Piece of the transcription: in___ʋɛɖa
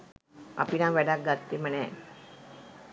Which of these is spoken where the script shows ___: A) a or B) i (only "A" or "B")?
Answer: A